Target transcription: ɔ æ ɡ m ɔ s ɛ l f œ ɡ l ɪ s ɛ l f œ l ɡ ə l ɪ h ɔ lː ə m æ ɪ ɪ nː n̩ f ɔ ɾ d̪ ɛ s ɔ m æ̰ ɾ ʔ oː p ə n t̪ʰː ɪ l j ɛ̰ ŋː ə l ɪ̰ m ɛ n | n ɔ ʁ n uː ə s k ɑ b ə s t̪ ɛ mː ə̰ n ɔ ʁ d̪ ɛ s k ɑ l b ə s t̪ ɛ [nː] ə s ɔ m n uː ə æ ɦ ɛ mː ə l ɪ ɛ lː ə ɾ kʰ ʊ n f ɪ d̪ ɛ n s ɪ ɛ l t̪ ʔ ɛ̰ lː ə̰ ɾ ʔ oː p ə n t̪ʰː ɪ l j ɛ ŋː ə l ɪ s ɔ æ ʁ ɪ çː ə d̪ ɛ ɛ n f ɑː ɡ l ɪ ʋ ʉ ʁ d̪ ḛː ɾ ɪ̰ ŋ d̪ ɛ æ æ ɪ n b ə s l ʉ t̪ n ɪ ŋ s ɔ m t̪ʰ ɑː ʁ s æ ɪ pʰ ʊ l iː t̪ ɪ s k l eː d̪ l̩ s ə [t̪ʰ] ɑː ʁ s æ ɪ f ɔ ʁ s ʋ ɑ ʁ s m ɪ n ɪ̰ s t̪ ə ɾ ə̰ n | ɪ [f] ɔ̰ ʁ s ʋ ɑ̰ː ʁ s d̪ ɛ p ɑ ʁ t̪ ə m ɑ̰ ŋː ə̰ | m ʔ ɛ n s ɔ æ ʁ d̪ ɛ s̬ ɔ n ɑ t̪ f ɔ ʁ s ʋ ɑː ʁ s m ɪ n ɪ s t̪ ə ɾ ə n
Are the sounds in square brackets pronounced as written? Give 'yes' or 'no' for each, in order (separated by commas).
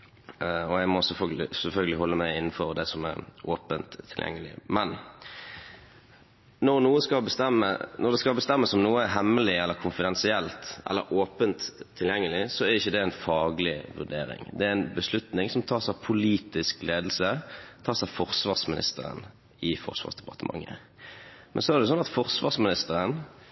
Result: no, yes, yes